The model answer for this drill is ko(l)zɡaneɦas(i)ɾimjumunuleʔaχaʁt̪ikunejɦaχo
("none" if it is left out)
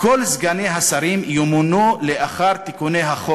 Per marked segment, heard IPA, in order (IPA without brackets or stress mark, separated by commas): l, a